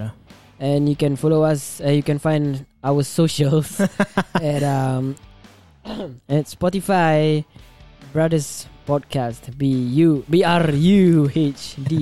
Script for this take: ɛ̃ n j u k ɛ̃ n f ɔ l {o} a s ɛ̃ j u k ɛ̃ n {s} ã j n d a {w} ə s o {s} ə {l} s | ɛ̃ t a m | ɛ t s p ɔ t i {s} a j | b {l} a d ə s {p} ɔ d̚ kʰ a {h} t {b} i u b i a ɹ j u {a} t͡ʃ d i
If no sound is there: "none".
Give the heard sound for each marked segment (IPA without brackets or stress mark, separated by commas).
o, f, w, ʃ, l, f, ɹ, p, s, b, e